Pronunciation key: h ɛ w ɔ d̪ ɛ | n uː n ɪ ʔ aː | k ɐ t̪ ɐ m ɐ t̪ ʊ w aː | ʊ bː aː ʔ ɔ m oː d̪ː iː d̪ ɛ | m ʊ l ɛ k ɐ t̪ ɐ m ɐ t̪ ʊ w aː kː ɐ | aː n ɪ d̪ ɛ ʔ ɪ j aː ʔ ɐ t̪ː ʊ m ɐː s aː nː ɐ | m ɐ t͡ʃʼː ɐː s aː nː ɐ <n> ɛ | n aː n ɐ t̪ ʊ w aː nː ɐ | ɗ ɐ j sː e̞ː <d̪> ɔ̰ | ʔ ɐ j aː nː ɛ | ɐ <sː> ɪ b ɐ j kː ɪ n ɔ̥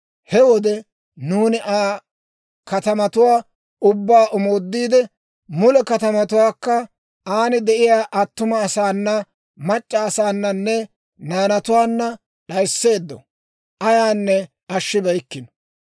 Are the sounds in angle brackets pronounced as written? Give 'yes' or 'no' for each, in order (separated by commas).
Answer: no, no, no